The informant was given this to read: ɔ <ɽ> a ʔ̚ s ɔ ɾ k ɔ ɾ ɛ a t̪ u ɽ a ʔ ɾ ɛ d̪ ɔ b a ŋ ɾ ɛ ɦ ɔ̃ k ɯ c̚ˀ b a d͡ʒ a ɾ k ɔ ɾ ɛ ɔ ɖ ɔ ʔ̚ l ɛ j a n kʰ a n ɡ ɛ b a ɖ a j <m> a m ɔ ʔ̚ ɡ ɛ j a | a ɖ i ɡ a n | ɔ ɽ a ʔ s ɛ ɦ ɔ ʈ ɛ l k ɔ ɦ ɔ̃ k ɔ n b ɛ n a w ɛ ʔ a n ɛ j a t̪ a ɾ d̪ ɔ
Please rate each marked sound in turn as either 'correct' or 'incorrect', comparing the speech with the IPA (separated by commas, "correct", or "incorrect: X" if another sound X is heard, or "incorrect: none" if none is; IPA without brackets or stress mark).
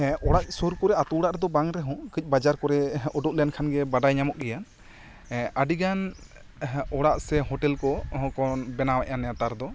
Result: correct, incorrect: ɲ